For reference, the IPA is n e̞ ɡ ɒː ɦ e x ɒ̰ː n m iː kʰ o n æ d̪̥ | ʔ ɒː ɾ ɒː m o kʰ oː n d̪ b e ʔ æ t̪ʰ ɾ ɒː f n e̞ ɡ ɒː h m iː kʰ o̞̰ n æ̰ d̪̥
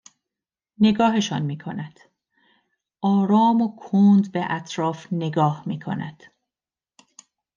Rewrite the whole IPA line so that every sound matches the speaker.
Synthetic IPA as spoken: n e̞ ɡ ɒː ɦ e ʃ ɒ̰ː n m iː kʰ o n æ d̪̥ | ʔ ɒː ɾ ɒː m o kʰ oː n d̪ b e ʔ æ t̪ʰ ɾ ɒː f n e̞ ɡ ɒː h m iː kʰ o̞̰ n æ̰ d̪̥

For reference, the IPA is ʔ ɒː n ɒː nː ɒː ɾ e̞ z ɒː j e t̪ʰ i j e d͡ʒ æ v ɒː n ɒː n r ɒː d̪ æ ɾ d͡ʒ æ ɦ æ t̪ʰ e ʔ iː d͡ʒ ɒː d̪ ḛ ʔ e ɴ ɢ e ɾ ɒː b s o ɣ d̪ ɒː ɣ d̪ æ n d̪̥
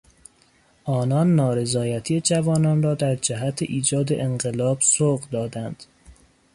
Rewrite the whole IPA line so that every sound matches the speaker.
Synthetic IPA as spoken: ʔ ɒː n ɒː nː ɒː ɾ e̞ z ɒː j æ t̪ʰ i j e d͡ʒ æ v ɒː n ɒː n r ɒː d̪ æ ɾ d͡ʒ æ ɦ æ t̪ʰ e ʔ iː d͡ʒ ɒː d̪ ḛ ʔ e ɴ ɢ e l ɒː b s o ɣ d̪ ɒː d̪ æ n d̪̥

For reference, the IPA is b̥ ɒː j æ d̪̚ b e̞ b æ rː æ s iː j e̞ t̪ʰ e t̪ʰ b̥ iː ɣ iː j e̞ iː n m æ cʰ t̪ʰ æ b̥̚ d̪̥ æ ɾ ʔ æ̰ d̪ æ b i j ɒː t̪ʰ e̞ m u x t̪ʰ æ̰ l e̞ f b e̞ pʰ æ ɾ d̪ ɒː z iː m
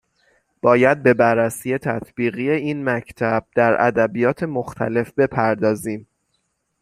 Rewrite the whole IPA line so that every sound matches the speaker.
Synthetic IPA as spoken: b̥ ɒː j æ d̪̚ b e̞ b æ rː æ s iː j e̞ t̪ʰ æ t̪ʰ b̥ iː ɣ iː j e̞ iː n m æ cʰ t̪ʰ æ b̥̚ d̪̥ æ ɾ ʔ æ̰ d̪ æ b i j ɒː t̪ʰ e̞ m o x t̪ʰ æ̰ l e̞ f b e̞ pʰ æ ɾ d̪ ɒː z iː m

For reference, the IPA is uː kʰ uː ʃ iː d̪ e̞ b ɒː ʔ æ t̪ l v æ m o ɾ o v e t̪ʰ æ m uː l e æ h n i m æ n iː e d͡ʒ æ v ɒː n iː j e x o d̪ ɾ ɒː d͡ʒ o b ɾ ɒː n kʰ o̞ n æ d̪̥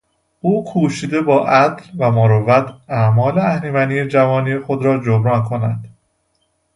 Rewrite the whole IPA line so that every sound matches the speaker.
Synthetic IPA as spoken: uː kʰ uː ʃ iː d̪ e̞ b ɒː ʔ æ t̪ l v æ m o ɾ o v æ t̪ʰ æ m ɒː l e æ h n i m æ n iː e d͡ʒ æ v ɒː n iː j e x o d̪ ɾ ɒː d͡ʒ o b ɾ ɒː n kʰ o̞ n æ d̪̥

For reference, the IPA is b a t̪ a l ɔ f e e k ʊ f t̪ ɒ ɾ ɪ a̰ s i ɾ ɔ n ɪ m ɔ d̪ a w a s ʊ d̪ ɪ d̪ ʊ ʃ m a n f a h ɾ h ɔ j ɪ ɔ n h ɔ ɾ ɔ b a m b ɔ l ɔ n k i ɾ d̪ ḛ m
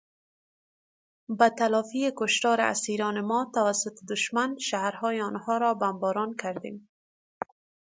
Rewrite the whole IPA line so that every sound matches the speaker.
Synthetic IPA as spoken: b a t̪ a l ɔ f i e k ʊ ʃ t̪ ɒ ɾ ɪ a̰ s i ɾ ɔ n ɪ m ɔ t̪ a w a s ʊ t̪ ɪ d̪ ʊ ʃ m a n ʃ a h ɾ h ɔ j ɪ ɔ n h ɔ ɾ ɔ b a m b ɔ ɾ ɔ n k a ɾ d̪ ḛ m

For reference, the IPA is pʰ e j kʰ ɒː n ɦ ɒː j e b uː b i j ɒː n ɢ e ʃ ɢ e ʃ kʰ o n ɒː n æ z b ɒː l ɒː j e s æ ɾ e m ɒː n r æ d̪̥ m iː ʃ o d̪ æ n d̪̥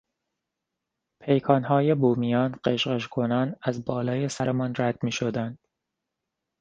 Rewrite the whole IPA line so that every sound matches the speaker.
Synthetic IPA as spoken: pʰ e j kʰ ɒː n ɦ ɒː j e b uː m i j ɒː n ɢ e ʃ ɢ e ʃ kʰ o n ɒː n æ z b ɒː l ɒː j e s æ ɾ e m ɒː n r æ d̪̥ m iː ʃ o d̪ æ n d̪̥

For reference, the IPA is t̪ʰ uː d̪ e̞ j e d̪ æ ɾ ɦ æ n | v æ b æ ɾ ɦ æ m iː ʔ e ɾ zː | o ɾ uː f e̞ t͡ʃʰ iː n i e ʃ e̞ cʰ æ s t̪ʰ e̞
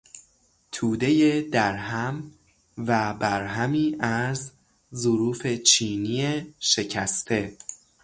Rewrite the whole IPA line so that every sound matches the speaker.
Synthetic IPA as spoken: t̪ʰ uː d̪ e̞ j e d̪ æ ɾ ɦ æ m | v æ b æ ɾ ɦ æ m iː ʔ æ ɾ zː | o ɾ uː f e̞ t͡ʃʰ iː n i e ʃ e̞ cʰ æ s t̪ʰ e̞

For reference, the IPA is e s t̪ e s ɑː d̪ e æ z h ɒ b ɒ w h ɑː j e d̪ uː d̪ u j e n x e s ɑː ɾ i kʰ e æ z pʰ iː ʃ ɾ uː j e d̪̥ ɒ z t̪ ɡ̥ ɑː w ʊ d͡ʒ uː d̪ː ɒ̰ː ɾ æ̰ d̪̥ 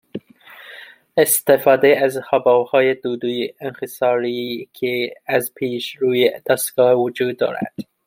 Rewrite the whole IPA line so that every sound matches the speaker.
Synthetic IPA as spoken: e s t̪ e f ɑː d̪ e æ z h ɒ b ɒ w h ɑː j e d̪ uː d̪ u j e n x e s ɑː ɾ i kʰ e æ z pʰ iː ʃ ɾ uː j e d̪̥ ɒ s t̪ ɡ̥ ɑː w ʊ d͡ʒ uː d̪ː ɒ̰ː ɾ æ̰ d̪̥

